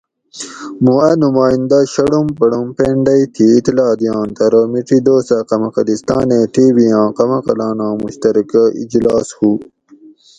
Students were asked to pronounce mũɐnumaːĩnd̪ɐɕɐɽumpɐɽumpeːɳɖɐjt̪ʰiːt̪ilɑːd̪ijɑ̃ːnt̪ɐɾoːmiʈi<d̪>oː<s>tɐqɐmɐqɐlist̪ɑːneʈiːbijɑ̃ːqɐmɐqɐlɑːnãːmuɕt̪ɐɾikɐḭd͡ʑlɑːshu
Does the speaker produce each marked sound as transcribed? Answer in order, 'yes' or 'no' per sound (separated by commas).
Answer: yes, yes